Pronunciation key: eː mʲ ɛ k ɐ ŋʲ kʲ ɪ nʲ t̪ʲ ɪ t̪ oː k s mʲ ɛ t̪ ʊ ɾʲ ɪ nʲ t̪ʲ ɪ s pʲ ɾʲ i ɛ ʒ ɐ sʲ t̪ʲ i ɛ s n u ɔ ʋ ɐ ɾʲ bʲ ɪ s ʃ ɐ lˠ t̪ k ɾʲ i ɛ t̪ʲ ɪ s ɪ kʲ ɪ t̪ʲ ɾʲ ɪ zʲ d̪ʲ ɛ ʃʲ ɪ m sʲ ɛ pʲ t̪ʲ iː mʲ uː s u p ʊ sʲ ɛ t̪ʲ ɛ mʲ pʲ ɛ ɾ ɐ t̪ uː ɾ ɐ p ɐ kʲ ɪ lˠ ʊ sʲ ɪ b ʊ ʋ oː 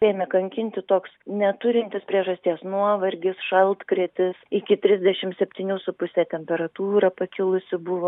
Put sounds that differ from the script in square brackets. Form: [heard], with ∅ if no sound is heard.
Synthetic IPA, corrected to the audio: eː mʲ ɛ k ɐ ŋʲ kʲ ɪ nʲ t̪ʲ ɪ t̪ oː k s [nʲ] ɛ t̪ ʊ ɾʲ ɪ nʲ t̪ʲ ɪ s pʲ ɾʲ i ɛ ʒ ɐ sʲ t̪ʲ i ɛ s n u ɔ ʋ ɐ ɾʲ [ɡʲ] ɪ s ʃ ɐ lˠ t̪ k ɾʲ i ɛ t̪ʲ ɪ s ɪ kʲ ɪ t̪ʲ ɾʲ ɪ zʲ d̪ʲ ɛ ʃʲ ɪ m sʲ ɛ pʲ t̪ʲ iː [nʲ] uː s [ʊ] p ʊ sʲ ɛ t̪ʲ ɛ mʲ pʲ ɛ ɾ ɐ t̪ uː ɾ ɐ p ɐ kʲ ɪ lˠ ʊ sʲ ɪ b ʊ ʋ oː